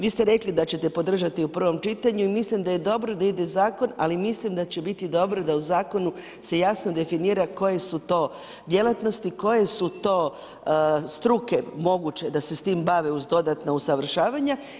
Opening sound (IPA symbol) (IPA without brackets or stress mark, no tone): ʋ